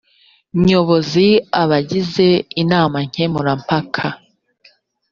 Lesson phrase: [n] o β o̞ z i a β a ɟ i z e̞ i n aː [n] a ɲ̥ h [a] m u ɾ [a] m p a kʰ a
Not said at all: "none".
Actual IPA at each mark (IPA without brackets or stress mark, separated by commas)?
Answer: ɲ, m, e, a